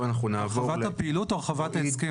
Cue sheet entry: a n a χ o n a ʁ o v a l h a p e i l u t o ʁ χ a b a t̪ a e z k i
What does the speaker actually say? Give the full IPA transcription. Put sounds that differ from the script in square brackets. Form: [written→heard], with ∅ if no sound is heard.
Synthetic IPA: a n a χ [o→u] n a [ʁ→v] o v a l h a p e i l u t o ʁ χ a [b→v] a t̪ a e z k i